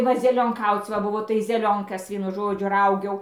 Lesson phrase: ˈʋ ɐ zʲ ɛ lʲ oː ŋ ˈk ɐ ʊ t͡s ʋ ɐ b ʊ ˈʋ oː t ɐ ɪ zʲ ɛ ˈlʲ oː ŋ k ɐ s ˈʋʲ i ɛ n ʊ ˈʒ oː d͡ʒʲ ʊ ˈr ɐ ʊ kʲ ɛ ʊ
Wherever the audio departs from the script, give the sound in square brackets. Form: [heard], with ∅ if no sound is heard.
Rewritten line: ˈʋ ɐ zʲ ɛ lʲ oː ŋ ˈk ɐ ʊ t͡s ʋ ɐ b ʊ ˈʋ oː t ɐ ɪ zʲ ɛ ˈlʲ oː ŋ k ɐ s ˈʋʲ i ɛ n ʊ ˈʒ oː d͡ʒʲ ʊ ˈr ɐ ʊ [ɡʲ] ɛ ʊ

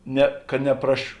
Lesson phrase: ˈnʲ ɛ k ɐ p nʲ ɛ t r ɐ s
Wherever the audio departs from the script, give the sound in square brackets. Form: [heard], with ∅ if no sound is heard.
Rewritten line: ˈnʲ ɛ k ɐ [∅] nʲ ɛ [p] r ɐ [ʃ]

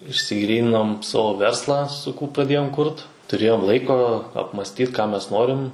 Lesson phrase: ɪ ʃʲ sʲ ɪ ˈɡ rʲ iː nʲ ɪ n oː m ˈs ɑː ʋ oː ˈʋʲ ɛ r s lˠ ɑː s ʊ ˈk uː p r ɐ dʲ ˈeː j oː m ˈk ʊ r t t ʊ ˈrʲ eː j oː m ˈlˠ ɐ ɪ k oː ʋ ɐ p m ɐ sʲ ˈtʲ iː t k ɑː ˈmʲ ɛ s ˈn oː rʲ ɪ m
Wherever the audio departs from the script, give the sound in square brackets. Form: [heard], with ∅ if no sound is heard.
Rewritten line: ɪ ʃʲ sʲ ɪ ˈɡ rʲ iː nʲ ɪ n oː m ˈs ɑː ʋ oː ˈʋʲ ɛ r s lˠ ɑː s ʊ ˈk uː p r ɐ dʲ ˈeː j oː m ˈk ʊ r t t ʊ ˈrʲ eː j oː m ˈlˠ ɐ ɪ k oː [∅] ɐ p m ɐ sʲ ˈtʲ iː t k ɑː ˈmʲ ɛ s ˈn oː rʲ ɪ m

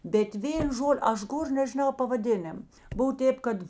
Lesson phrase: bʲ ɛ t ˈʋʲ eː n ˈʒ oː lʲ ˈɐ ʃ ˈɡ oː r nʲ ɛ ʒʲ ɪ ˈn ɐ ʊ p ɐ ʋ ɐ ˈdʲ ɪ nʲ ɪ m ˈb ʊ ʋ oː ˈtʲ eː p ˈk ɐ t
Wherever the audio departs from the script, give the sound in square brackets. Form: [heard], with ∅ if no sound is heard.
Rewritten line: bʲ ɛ t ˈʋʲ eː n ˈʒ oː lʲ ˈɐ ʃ ˈɡ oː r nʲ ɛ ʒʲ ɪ ˈn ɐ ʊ p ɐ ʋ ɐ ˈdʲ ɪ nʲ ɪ m ˈb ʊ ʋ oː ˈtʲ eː p ˈk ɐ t

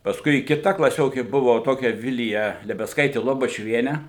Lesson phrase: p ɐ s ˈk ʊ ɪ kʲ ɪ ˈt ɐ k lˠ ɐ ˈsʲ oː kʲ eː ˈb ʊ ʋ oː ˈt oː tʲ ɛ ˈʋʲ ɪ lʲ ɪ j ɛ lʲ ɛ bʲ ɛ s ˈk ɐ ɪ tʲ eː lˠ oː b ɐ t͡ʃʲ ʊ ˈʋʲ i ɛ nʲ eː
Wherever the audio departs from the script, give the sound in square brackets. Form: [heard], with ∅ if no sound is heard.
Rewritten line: p ɐ s ˈk ʊ ɪ kʲ ɪ ˈt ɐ k lˠ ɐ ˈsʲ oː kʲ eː ˈb ʊ ʋ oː ˈt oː [kʲ] ɛ ˈʋʲ ɪ lʲ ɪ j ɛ lʲ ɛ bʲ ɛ s ˈk ɐ ɪ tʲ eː lˠ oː b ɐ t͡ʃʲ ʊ ˈʋʲ i ɛ nʲ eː

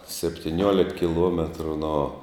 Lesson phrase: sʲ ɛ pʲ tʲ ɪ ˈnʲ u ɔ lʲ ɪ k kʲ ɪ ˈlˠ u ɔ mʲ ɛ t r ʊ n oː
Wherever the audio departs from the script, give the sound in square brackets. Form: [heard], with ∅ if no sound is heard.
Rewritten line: sʲ ɛ pʲ tʲ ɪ ˈnʲ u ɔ lʲ ɪ k kʲ ɪ ˈlˠ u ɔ mʲ ɛ t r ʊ n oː

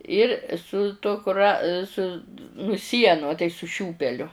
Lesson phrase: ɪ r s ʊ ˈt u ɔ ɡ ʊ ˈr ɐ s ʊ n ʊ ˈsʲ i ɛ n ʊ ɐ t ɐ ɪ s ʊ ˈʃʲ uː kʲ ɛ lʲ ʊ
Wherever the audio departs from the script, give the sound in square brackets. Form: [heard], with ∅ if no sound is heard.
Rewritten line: ɪ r s ʊ ˈt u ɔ [k] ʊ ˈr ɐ s ʊ n ʊ ˈsʲ i ɛ n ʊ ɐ t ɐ ɪ s ʊ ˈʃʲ uː [pʲ] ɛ lʲ ʊ

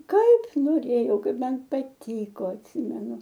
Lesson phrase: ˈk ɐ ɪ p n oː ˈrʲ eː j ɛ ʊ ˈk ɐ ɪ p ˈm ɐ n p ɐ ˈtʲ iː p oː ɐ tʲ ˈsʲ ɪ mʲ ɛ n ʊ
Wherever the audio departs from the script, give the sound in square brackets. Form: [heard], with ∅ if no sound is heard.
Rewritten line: ˈk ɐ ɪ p n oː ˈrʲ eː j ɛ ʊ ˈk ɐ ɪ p ˈm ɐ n p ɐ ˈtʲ iː [k] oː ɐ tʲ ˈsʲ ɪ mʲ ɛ n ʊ

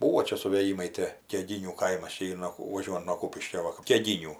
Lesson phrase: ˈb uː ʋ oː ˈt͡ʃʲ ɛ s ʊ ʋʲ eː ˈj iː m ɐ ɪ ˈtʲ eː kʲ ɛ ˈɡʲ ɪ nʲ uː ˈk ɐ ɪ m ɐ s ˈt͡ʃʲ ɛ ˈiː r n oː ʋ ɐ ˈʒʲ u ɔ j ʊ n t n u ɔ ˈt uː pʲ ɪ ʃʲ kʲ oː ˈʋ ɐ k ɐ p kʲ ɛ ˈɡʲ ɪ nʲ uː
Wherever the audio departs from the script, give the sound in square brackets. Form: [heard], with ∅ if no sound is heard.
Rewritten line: ˈb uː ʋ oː ˈt͡ʃʲ ɛ s ʊ ʋʲ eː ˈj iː m ɐ ɪ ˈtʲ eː kʲ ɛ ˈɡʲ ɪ nʲ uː ˈk ɐ ɪ m ɐ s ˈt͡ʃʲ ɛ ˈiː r n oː ʋ ɐ ˈʒʲ u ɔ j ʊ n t n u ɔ [ˈk] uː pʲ ɪ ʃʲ kʲ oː ˈʋ ɐ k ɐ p kʲ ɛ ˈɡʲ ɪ nʲ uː

